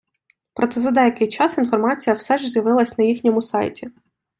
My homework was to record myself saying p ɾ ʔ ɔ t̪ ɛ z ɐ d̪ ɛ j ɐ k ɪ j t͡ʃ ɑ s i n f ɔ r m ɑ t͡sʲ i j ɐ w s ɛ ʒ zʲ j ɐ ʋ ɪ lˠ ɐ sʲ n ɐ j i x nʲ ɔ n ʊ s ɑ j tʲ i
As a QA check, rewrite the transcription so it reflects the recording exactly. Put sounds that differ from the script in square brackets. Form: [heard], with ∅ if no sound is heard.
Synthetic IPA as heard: p ɾ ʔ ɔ t̪ ɛ z ɐ d̪ ɛ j ɐ k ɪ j t͡ʃ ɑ s i n f ɔ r m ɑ t͡sʲ i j ɐ w s ɛ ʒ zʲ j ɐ ʋ ɪ lˠ ɐ sʲ n ɐ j i x nʲ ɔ [m] ʊ s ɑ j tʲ i

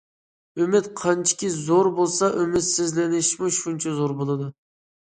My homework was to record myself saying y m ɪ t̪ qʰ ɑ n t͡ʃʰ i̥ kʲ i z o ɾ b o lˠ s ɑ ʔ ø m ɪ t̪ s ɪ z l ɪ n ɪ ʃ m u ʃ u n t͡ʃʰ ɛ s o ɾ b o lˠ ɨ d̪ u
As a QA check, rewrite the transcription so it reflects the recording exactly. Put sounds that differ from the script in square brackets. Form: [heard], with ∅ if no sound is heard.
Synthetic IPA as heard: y m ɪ t̪ qʰ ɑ n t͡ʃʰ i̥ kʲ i z o ɾ b o lˠ s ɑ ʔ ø m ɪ t̪ s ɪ z l ɪ n ɪ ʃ m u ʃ u n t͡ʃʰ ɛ [z] o ɾ b o lˠ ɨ d̪ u

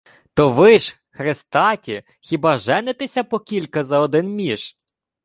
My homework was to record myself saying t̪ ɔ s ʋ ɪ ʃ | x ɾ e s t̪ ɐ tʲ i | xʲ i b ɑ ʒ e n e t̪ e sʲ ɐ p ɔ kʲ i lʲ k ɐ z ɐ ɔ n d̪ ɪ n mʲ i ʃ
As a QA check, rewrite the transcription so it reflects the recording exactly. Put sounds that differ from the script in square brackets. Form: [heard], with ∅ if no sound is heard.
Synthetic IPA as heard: t̪ ɔ [∅] ʋ ɪ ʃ | x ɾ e s t̪ [ɑ] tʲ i | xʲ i b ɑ ʒ [ɛ] n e t̪ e sʲ ɐ p ɔ kʲ i lʲ k ɐ z ɐ ɔ [∅] d̪ ɪ n mʲ i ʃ

